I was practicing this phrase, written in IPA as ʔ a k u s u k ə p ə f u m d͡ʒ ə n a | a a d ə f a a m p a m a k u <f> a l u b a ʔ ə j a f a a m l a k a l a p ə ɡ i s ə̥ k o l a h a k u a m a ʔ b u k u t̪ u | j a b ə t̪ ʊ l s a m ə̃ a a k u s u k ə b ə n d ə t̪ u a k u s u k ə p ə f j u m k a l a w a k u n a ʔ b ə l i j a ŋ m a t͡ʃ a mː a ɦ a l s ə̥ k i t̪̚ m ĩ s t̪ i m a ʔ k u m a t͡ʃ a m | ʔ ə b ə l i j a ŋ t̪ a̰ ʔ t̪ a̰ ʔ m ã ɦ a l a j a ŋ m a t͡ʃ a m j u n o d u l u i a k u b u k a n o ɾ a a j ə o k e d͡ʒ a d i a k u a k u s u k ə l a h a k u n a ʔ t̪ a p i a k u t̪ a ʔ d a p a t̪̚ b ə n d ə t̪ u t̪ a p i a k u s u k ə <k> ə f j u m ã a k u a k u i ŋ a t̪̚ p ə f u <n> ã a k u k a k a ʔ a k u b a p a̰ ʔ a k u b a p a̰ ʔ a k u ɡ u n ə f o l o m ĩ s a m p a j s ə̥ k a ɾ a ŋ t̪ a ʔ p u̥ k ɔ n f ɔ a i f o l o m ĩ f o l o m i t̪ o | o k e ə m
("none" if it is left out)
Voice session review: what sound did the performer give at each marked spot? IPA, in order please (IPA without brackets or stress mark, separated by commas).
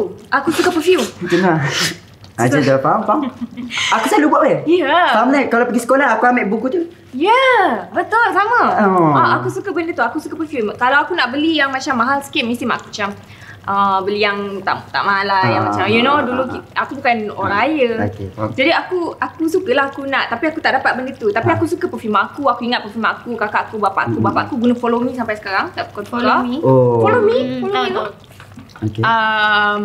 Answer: s, p, m